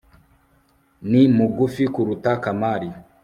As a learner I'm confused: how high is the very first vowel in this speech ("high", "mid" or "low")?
high